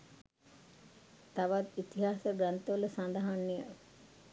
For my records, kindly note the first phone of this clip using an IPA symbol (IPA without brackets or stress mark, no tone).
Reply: t̪